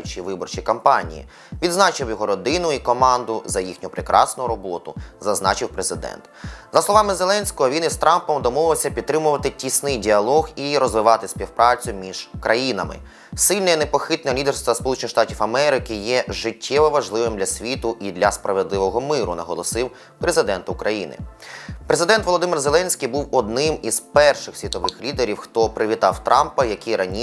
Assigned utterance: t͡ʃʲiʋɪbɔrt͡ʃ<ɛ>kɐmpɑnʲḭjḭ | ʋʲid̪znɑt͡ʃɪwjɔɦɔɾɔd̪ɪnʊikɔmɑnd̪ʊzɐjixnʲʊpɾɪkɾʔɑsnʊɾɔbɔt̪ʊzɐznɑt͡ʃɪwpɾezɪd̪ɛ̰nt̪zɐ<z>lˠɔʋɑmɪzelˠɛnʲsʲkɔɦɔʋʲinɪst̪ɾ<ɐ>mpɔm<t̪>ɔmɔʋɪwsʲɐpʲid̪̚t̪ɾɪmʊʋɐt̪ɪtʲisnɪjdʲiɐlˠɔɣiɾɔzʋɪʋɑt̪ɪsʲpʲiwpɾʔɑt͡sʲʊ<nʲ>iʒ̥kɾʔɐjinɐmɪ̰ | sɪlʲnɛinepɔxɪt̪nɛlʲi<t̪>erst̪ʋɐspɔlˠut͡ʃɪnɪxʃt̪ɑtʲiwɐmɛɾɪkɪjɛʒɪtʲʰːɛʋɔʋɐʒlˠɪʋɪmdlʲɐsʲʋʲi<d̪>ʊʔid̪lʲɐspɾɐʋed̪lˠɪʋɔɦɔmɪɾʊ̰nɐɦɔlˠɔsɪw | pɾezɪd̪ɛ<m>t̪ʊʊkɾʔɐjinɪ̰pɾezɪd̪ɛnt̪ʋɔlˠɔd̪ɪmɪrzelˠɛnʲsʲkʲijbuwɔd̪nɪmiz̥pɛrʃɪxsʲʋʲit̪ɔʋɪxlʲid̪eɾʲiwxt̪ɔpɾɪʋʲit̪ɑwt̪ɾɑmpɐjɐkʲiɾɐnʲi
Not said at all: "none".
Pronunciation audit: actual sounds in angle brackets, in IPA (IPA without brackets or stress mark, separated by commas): i, s, ɑ, d̪, mʲ, d̪, t̪, n